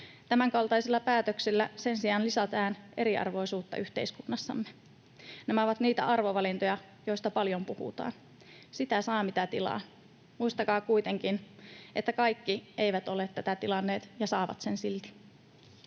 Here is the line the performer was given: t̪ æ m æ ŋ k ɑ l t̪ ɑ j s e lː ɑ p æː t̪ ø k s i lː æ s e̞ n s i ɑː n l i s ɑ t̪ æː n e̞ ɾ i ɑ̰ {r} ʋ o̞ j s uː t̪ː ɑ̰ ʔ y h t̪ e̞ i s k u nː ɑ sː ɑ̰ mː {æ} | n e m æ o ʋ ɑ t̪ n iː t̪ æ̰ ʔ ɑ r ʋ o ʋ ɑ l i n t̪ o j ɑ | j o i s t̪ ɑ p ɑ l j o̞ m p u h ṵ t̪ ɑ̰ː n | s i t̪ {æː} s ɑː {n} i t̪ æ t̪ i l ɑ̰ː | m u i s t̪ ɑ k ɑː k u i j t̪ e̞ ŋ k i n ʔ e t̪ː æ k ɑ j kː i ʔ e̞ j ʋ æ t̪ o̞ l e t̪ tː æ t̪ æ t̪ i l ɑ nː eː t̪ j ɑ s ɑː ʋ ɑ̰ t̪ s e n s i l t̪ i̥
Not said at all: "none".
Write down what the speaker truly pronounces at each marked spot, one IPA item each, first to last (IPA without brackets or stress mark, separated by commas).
r, e, æ, m